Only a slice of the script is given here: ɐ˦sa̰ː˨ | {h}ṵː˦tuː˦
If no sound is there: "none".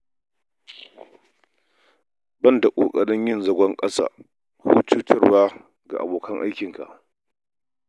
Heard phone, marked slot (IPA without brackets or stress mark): h